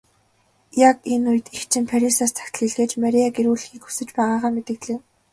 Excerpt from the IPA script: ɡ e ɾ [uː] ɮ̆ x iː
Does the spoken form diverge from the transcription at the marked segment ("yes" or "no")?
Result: no